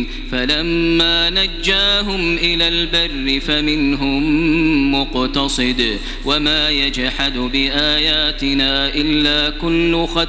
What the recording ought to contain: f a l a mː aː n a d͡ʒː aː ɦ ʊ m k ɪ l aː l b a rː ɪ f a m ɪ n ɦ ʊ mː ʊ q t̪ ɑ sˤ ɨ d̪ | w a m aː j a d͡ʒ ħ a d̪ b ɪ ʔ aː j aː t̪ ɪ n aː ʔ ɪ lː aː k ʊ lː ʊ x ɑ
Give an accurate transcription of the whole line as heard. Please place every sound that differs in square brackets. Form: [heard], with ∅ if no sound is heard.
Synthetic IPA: f a l a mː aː n a d͡ʒː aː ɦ ʊ m [ʔ] ɪ l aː l b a rː ɪ f a m ɪ n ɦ ʊ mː ʊ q t̪ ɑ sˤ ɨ d̪ | w a m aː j a d͡ʒ ħ a d̪ b ɪ ʔ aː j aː t̪ ɪ n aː ʔ ɪ lː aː k ʊ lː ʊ x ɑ